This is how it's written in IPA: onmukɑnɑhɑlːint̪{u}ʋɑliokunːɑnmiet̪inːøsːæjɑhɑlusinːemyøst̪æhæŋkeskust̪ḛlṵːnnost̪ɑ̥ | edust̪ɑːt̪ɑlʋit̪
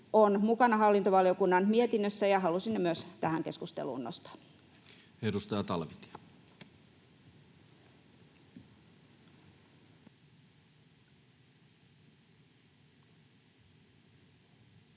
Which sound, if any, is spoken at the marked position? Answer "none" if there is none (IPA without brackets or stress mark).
o